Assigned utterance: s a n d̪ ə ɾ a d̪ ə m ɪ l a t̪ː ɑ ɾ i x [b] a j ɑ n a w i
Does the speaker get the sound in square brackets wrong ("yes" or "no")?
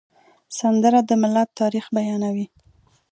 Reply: no